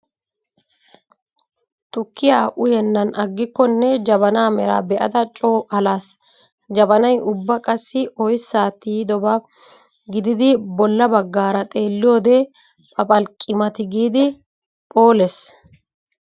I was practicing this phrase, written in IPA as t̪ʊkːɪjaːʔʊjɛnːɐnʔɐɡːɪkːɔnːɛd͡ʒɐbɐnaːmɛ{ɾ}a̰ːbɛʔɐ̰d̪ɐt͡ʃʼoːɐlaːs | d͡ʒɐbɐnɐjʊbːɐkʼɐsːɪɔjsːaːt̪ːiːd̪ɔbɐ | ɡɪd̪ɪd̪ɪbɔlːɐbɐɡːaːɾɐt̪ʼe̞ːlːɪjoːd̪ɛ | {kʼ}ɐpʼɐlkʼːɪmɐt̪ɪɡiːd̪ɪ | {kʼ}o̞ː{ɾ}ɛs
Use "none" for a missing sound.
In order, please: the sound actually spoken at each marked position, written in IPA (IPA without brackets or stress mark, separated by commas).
ɾ, pʼ, pʼ, l